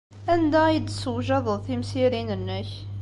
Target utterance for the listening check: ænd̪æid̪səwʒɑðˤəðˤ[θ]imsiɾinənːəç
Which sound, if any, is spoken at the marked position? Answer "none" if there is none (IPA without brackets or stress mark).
θ